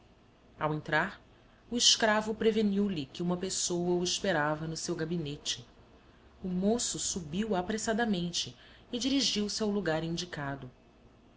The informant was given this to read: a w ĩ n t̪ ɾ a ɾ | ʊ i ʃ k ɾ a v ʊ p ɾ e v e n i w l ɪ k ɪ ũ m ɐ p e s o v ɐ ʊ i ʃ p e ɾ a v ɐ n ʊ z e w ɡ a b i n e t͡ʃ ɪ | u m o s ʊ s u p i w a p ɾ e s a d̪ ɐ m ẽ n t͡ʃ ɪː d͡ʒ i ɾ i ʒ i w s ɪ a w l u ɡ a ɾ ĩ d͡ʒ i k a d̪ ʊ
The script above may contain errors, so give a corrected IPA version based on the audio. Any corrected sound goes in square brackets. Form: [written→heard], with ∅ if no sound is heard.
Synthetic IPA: a w [ĩ→ẽ] n t̪ ɾ a ɾ | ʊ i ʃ k ɾ a v ʊ p ɾ e v e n i w l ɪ k ɪ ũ m ɐ p e s o [v→w] ɐ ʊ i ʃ p e ɾ a v ɐ n ʊ [z→s] e w ɡ a b i n e t͡ʃ ɪ | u m o s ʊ s u [p→b] i w a p ɾ e s a d̪ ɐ m ẽ n t͡ʃ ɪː d͡ʒ i ɾ i ʒ i w s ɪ a w l u ɡ a ɾ ĩ d͡ʒ i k a d̪ ʊ